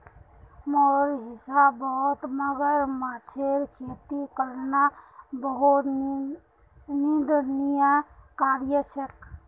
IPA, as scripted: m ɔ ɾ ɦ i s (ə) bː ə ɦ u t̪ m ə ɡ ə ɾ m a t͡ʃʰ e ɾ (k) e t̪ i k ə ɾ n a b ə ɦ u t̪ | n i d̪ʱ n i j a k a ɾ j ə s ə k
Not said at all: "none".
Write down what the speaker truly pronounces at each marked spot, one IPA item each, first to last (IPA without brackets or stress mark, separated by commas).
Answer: a, kʰ